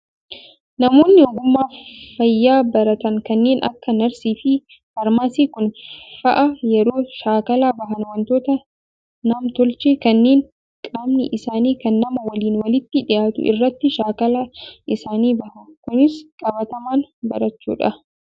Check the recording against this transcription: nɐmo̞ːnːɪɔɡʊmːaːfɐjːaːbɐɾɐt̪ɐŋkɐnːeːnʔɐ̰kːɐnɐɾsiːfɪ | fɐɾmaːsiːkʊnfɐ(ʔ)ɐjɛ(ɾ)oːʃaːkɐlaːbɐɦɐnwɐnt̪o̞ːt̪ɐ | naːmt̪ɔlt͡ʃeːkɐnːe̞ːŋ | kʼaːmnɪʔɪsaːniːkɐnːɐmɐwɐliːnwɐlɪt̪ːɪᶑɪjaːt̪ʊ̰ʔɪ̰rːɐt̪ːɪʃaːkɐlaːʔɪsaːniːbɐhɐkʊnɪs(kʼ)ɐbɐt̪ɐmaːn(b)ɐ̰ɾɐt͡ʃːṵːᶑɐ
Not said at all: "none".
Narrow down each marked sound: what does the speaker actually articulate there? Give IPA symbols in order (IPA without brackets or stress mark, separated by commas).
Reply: ʔ, ɾ, kʼ, b